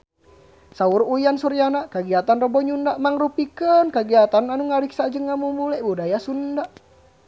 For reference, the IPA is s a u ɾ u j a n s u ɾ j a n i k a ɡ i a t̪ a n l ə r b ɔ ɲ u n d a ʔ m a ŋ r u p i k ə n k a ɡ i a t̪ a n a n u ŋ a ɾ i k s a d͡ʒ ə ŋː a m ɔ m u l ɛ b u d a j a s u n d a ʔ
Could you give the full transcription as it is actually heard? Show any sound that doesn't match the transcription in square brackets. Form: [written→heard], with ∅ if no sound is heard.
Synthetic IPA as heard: s a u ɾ u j a n s u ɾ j a n [i→a] k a ɡ i a t̪ a n [l→r] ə [r→∅] b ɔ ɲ u n d a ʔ m a ŋ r u p i k ə n k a ɡ i a t̪ a n a n u ŋ a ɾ i k s a d͡ʒ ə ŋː a m [ɔ→u] m u l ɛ b u d a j a s u n d a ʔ

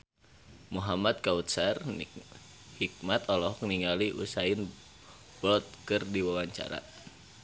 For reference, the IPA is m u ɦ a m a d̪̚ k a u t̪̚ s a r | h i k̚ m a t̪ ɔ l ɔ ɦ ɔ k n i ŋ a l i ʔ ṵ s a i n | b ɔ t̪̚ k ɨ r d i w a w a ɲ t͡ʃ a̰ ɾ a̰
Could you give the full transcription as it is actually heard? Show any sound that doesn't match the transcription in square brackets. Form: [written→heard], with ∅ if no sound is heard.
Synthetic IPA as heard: m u ɦ a m a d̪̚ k a u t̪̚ s a r | h i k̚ m a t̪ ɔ l ɔ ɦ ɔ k n i ŋ a l i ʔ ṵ s a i n | b ɔ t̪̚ k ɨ r d i w a w a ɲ t͡ʃ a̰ ɾ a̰

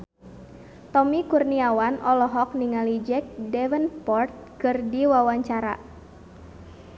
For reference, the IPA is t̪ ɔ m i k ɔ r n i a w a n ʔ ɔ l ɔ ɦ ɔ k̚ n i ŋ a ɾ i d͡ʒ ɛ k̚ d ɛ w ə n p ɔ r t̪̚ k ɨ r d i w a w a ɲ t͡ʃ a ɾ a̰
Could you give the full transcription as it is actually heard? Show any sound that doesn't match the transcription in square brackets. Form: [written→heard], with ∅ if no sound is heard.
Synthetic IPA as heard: t̪ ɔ m i k [ɔ→u] r n i a w a n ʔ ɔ l ɔ ɦ ɔ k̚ n i ŋ a [ɾ→l] i d͡ʒ ɛ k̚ d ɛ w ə n p ɔ r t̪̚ k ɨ r d i w a w a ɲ t͡ʃ a ɾ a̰

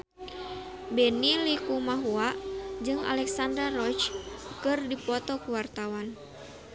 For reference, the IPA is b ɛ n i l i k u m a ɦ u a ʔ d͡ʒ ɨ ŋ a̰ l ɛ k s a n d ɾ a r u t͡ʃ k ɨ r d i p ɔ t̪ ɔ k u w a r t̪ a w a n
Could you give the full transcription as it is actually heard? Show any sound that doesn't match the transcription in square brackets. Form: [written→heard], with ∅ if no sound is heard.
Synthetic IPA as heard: b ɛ n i l i k u m a ɦ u a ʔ d͡ʒ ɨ ŋ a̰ l ɛ k s a n d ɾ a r [u→ɔ] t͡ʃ k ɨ r d i p ɔ t̪ ɔ k u w a r t̪ a w a n

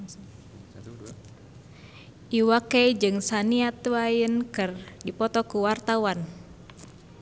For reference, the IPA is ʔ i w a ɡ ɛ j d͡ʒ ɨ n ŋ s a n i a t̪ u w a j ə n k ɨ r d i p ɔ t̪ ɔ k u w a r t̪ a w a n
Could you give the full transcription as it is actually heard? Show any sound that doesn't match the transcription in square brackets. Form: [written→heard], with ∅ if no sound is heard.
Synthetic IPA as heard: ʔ i w a [ɡ→k] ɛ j d͡ʒ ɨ [n→∅] ŋ s a n i a t̪ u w a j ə n k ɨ r d i p ɔ t̪ ɔ k u w a r t̪ a w a n

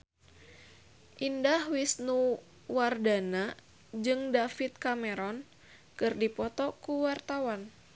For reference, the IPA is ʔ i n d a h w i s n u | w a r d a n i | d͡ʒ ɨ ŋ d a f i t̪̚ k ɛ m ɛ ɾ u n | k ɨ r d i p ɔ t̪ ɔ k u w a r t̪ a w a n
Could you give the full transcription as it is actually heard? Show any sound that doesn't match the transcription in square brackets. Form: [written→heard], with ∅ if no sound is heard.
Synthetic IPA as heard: ʔ i n d a h w i s n u | w a r d a n [i→a] | d͡ʒ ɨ ŋ d a f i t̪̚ k [ɛ→a] m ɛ ɾ [u→ɔ] n | k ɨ r d i p ɔ t̪ ɔ k u w a r t̪ a w a n

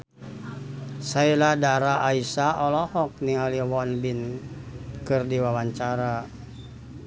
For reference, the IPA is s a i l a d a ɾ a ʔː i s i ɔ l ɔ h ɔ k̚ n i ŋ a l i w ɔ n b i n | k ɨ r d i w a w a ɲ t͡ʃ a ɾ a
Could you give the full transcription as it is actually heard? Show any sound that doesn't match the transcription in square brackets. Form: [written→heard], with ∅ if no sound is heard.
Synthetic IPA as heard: s a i l a d a ɾ a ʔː i s [i→a] ɔ l ɔ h ɔ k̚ n i ŋ a l i w ɔ n b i n | k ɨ r d i w a w a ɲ t͡ʃ a ɾ a

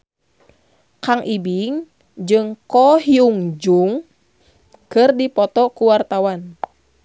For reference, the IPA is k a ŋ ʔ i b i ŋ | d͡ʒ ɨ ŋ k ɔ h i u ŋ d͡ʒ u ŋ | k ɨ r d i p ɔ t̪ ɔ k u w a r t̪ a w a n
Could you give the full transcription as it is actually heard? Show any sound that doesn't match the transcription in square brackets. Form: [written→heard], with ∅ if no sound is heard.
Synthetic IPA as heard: k a ŋ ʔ i b i ŋ | d͡ʒ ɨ ŋ k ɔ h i u ŋ d͡ʒ u ŋ | k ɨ r d i p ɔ t̪ ɔ k u w a r t̪ a w a n

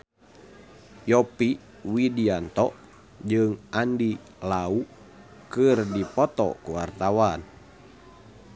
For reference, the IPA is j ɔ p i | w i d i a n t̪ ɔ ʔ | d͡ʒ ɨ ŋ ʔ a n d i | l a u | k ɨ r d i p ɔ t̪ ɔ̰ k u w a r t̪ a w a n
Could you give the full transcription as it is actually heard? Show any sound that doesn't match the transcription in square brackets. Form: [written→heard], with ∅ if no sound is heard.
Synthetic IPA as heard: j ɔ p i | w i d i a n t̪ ɔ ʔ | d͡ʒ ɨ ŋ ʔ a n d i | l a u | k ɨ r d i p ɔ t̪ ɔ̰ k u w a r t̪ a w a n

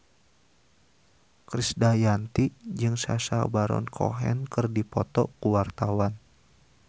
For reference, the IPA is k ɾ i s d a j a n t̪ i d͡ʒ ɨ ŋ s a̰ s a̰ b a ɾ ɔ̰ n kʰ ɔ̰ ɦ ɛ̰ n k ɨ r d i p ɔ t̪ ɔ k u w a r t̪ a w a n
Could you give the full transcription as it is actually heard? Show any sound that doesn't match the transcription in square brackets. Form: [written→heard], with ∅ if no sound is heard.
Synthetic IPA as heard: k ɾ i s d a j a n t̪ i d͡ʒ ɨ ŋ s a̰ s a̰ b a ɾ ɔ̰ n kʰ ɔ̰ ɦ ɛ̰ n k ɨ r d i p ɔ t̪ ɔ k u w a r t̪ a w a n

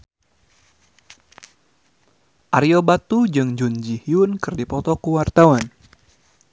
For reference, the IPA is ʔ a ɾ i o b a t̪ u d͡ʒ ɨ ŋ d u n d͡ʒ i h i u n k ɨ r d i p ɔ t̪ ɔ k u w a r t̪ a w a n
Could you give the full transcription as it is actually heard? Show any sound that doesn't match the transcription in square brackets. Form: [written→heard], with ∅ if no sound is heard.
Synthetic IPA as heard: ʔ a ɾ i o b a t̪ u d͡ʒ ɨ ŋ [d→d͡ʒ] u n d͡ʒ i h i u n k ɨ r d i p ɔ t̪ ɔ k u w a r t̪ a w a n

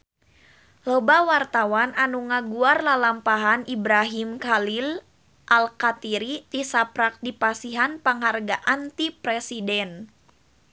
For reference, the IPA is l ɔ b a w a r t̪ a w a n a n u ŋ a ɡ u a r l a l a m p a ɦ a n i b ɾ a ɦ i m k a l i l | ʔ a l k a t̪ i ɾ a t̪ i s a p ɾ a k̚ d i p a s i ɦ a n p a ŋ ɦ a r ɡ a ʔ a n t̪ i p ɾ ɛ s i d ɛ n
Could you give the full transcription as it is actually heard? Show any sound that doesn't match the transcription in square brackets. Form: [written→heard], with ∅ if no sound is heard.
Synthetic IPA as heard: l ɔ b a w a r t̪ a w a n a n u ŋ a ɡ u a r l a l a m p a ɦ a n i b ɾ a ɦ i m k a l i l | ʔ a l k a t̪ i ɾ [a→i] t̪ i s a p ɾ a k̚ d i p a s i ɦ a n p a ŋ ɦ a r ɡ a ʔ a n t̪ i p ɾ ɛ s i d ɛ n

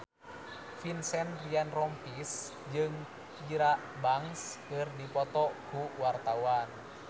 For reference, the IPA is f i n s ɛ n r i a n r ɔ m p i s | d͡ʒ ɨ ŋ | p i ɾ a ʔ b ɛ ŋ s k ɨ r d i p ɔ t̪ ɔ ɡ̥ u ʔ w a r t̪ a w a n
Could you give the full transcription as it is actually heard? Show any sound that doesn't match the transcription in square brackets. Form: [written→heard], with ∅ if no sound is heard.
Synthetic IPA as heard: f i n s ɛ n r i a n r ɔ m p i s | d͡ʒ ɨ ŋ | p i ɾ a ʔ b [ɛ→a] ŋ s k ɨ r d i p ɔ t̪ ɔ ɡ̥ u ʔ w a r t̪ a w a n

